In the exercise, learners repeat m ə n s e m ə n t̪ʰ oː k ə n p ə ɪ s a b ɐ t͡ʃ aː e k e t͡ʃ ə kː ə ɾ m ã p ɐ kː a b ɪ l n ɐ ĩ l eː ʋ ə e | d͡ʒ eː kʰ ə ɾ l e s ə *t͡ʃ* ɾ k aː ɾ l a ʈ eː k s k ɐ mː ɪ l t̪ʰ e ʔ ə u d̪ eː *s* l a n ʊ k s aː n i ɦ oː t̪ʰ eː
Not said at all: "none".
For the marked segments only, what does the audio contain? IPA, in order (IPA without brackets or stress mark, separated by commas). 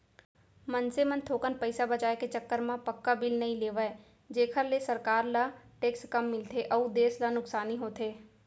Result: none, s